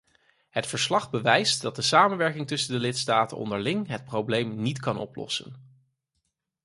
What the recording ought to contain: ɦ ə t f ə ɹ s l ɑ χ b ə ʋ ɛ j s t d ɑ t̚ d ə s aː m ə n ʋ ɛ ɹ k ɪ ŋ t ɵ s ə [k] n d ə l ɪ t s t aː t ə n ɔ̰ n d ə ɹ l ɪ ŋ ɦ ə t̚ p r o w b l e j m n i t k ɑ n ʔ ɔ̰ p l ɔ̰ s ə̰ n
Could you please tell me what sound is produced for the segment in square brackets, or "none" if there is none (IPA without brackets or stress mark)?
none